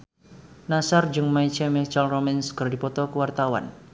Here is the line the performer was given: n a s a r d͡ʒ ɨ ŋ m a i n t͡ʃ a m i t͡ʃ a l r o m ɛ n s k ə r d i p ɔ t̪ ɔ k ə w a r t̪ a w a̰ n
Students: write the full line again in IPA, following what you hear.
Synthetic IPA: n a s a r d͡ʒ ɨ ŋ m a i t͡ʃ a m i t͡ʃ a l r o m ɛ n s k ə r d i p ɔ t̪ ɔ k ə w a r t̪ a w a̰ n